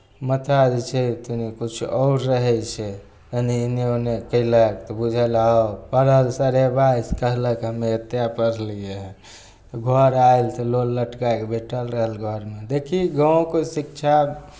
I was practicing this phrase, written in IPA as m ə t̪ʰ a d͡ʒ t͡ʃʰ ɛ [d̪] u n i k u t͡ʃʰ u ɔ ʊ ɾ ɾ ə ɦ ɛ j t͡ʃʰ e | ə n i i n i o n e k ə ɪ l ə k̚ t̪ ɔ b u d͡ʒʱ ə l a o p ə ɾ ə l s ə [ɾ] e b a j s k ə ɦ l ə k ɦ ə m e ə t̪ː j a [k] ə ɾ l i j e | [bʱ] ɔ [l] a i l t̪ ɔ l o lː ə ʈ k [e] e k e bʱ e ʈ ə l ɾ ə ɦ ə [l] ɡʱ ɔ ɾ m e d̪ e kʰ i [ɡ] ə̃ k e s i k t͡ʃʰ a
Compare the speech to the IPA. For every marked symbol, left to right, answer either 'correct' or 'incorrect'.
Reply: incorrect, correct, incorrect, incorrect, incorrect, incorrect, correct, correct

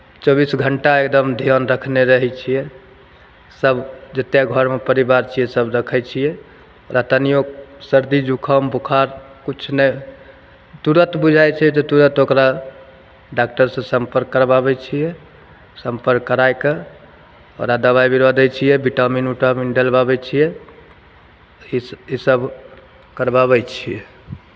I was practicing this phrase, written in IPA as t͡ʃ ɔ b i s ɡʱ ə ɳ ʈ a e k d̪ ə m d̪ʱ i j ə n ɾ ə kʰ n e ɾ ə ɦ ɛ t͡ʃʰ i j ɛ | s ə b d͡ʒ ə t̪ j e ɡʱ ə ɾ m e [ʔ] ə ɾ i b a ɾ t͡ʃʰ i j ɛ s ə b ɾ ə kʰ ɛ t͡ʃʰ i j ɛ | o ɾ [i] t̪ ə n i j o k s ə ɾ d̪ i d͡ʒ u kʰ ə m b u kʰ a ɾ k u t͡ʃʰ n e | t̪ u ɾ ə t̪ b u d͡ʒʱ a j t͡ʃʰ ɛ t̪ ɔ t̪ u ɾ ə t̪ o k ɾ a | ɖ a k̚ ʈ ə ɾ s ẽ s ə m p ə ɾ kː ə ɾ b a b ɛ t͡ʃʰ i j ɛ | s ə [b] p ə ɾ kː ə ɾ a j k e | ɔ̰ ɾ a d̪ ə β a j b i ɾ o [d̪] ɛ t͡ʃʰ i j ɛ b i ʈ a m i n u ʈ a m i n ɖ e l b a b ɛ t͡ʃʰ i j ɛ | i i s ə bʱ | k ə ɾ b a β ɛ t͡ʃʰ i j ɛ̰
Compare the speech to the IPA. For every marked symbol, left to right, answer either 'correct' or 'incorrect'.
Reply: incorrect, incorrect, incorrect, correct

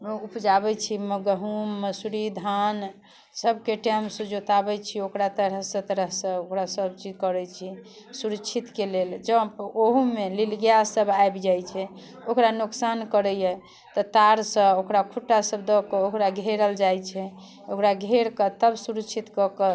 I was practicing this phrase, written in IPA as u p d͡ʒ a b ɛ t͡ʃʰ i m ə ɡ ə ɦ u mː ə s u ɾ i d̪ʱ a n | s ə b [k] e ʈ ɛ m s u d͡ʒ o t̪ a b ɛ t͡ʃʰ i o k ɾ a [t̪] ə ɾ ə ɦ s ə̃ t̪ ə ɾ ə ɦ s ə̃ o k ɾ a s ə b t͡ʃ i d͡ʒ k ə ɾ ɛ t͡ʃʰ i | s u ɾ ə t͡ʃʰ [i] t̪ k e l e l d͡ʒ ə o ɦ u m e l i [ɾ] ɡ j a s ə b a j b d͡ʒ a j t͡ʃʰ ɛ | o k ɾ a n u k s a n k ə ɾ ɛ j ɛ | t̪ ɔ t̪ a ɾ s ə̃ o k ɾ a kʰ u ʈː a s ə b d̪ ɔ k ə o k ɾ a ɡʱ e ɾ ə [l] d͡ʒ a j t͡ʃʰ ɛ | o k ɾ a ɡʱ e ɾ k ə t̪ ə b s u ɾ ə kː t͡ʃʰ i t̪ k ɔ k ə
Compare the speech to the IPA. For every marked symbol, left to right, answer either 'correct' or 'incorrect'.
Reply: correct, correct, correct, incorrect, correct

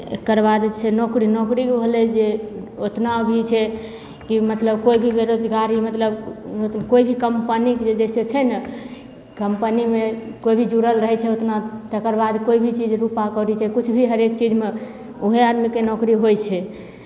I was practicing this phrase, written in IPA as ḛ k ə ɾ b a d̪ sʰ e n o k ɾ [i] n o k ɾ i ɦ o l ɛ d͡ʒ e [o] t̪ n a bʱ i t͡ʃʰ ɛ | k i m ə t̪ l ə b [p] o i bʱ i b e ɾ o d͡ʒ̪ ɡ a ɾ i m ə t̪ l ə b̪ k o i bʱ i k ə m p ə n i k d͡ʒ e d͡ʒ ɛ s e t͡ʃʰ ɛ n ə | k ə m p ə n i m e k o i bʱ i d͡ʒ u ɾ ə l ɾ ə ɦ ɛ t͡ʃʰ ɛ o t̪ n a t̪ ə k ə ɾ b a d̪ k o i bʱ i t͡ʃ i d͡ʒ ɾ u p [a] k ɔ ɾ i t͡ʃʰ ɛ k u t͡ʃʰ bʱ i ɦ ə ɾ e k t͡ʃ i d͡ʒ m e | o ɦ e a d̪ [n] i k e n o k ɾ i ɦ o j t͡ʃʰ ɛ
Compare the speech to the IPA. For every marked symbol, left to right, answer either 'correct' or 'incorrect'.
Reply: correct, correct, incorrect, correct, incorrect

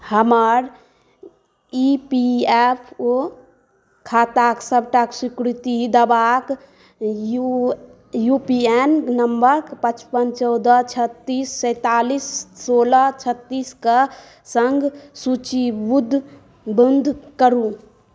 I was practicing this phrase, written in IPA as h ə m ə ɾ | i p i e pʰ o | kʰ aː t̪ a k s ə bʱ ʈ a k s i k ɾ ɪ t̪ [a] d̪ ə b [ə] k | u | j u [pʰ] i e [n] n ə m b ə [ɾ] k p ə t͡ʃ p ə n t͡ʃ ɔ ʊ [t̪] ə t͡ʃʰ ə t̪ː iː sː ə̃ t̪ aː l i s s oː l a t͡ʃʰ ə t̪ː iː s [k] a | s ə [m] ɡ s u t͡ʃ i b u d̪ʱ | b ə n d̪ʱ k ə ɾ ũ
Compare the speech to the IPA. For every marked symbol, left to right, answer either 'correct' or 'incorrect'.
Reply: incorrect, incorrect, incorrect, correct, correct, incorrect, correct, incorrect

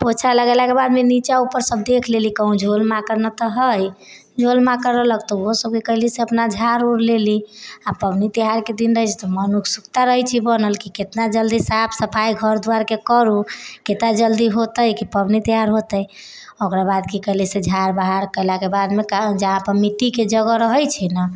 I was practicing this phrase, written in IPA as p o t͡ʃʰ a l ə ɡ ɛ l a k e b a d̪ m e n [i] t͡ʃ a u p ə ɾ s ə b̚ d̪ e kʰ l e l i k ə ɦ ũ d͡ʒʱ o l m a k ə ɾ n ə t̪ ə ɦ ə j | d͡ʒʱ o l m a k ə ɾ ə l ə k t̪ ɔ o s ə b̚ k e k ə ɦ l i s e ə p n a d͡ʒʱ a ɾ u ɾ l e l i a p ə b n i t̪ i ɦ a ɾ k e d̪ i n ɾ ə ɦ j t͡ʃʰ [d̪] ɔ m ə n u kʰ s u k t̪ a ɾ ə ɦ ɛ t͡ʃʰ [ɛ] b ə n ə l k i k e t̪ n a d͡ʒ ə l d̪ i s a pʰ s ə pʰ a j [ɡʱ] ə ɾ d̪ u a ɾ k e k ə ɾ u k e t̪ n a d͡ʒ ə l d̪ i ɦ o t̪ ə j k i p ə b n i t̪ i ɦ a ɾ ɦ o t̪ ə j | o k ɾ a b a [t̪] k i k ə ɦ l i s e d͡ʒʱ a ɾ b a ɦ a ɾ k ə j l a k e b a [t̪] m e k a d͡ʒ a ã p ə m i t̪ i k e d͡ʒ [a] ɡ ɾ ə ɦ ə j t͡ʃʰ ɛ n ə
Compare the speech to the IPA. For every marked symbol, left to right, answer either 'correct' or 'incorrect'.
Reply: correct, incorrect, incorrect, correct, incorrect, incorrect, incorrect

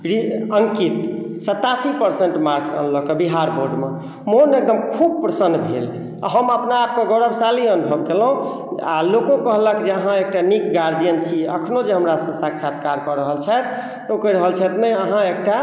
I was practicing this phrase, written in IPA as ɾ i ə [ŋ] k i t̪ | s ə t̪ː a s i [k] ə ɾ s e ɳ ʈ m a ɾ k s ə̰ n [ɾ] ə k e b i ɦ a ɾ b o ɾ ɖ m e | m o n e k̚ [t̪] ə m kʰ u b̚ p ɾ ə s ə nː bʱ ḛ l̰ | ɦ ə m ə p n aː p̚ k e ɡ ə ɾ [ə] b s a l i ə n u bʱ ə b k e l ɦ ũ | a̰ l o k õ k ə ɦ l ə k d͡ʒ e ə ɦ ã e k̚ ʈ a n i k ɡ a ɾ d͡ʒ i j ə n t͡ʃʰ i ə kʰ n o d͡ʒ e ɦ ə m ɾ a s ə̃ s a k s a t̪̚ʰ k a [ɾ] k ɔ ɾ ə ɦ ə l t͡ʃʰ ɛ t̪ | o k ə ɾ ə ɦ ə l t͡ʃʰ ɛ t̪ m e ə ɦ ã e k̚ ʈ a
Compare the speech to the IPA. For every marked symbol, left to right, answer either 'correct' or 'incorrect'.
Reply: correct, incorrect, incorrect, incorrect, correct, correct

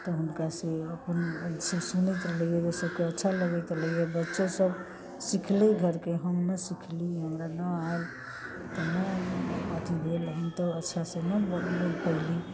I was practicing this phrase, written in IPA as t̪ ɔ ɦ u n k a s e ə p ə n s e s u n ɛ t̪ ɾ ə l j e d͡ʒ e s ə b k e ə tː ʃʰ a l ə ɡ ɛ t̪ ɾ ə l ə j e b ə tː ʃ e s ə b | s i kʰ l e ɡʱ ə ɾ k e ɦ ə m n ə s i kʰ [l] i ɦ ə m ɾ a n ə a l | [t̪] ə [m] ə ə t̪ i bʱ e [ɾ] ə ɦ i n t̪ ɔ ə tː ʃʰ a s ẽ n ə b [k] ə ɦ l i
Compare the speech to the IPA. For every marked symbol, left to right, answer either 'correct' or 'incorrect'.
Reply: correct, correct, incorrect, incorrect, incorrect

